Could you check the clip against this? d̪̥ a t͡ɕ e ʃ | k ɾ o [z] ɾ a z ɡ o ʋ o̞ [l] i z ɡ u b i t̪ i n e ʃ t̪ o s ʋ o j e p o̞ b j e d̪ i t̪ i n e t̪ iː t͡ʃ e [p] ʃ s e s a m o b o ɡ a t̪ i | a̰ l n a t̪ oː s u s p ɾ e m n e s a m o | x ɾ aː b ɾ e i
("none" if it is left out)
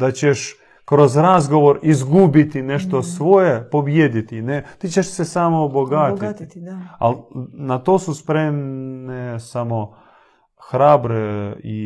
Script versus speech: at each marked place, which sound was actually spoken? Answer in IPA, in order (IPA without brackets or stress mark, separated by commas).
z, ɾ, none